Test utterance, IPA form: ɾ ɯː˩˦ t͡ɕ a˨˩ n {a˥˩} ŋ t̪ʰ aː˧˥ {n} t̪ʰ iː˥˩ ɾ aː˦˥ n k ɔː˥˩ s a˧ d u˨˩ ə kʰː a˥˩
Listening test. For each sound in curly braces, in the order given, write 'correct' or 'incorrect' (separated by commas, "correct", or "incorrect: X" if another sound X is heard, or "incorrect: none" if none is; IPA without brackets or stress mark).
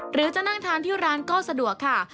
correct, correct